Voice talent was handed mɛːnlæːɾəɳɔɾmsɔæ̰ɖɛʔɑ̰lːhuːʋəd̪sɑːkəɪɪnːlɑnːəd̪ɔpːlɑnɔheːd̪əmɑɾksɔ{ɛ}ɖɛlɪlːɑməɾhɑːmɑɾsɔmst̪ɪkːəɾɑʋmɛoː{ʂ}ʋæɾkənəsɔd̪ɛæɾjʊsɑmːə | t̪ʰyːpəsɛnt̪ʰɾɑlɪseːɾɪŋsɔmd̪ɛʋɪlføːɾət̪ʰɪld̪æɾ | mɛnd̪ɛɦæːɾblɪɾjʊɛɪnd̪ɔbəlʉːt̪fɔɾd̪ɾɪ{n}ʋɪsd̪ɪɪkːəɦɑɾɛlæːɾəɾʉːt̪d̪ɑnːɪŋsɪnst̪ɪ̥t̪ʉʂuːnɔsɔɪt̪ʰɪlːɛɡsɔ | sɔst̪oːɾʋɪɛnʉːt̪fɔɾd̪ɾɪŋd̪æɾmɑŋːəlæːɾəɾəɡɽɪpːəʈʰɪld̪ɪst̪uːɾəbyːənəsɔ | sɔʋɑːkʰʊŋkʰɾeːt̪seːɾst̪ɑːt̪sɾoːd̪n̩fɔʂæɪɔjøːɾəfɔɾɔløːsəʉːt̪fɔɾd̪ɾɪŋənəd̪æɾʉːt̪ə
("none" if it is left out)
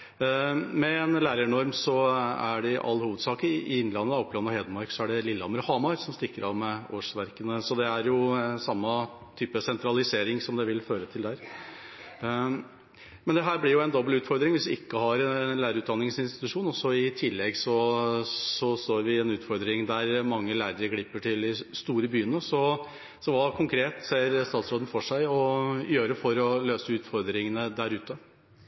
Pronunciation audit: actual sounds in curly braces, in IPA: æ, ʂ, ŋ

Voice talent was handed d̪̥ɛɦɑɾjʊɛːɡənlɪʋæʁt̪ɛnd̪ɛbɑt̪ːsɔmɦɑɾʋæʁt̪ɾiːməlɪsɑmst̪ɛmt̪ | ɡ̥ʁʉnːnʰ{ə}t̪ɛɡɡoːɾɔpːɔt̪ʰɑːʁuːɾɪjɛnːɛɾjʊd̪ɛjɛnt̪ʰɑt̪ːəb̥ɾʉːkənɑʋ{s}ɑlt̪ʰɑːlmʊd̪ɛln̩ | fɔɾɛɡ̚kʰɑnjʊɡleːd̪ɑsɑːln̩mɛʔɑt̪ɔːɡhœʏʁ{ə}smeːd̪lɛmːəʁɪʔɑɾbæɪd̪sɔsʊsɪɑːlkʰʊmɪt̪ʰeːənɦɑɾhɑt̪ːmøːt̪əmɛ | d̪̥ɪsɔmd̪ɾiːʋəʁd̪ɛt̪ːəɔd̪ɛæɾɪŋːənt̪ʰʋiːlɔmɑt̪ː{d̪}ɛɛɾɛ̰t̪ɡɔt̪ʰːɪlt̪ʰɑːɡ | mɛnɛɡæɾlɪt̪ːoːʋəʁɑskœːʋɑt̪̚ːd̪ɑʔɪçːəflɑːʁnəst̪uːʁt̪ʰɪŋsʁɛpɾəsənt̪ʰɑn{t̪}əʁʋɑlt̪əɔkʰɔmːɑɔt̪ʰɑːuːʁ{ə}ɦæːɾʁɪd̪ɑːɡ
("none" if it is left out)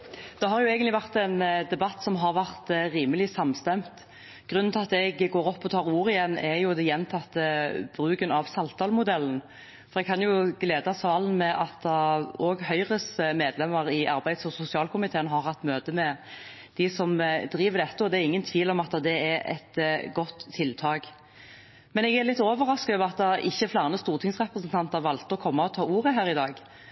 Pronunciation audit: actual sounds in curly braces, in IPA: ɑ, s, ə, d̪, t̪, ə

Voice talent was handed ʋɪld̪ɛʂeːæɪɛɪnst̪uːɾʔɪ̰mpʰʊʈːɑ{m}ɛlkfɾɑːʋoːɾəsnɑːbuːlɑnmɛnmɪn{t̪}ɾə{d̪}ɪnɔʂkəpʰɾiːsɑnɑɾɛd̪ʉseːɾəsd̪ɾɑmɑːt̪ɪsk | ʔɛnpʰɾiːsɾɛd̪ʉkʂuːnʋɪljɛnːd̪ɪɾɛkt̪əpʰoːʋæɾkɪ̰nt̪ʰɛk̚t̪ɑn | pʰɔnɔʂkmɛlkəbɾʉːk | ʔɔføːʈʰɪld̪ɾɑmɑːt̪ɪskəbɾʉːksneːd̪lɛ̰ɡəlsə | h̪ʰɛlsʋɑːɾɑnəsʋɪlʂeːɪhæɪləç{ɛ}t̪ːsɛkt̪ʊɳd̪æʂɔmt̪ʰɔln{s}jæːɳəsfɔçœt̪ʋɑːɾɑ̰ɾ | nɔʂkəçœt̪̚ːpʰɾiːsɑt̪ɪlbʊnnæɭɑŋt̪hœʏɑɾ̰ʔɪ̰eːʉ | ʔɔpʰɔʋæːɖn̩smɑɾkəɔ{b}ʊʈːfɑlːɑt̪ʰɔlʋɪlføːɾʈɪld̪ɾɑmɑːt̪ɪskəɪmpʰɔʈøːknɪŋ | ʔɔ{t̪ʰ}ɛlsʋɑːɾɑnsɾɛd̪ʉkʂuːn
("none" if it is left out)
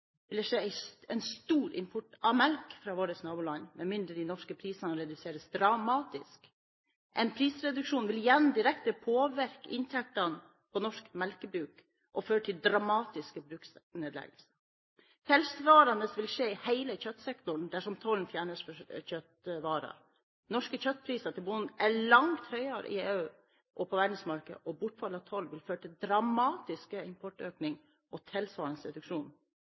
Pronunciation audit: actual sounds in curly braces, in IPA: m, d̪, d̪, œ, f, b, t̪ʰ

